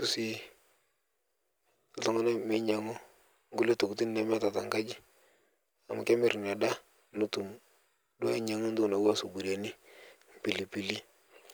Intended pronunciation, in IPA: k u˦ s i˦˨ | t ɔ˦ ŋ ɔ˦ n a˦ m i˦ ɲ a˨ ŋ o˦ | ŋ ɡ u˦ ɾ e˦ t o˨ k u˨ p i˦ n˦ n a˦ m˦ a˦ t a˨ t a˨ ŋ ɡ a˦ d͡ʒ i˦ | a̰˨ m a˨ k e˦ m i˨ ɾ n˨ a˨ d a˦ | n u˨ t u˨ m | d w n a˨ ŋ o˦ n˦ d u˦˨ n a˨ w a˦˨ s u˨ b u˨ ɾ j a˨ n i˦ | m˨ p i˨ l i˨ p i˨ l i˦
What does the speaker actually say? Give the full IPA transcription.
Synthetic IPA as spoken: k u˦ s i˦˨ | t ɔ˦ ŋ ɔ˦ n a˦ m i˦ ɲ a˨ ŋ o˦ | ŋ ɡ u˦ l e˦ t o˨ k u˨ t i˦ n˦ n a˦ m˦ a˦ t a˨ t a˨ ŋ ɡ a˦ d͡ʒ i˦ | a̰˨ m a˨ k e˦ m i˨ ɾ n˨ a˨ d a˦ | n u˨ t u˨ m | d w ɲ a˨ ŋ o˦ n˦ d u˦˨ n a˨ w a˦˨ s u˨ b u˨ ɾ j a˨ n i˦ | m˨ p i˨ l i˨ p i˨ l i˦